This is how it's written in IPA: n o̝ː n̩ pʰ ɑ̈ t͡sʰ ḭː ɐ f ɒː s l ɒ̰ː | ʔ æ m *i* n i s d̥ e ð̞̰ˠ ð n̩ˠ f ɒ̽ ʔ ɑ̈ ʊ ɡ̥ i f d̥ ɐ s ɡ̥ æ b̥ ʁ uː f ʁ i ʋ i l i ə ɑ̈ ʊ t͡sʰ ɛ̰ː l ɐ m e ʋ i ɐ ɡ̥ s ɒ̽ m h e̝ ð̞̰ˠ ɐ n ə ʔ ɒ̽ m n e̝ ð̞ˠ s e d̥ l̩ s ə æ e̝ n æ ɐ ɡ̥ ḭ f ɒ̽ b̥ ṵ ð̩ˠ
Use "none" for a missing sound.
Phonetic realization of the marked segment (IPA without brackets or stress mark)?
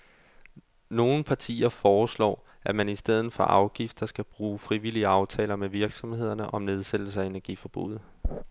æ